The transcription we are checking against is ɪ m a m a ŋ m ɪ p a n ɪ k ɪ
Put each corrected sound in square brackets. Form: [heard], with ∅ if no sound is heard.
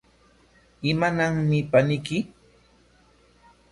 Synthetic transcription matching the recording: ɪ m a [n] a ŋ m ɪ p a n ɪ k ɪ